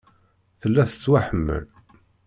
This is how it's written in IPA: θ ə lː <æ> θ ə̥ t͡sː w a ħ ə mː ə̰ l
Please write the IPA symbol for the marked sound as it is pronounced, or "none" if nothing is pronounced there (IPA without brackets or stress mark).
æ